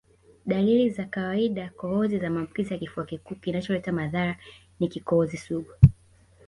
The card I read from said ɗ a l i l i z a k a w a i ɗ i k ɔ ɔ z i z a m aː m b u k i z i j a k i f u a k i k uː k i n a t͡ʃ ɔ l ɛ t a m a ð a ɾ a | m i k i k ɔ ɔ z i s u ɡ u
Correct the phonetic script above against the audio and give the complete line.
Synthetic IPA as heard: ɗ a l i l i z a k a w a i ɗ a k ɔ ɔ z i z a m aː m b u k i z i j a k i f u a k i k uː k i n a t͡ʃ ɔ l ɛ t a m a ð a ɾ a | n i k i k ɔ ɔ z i s u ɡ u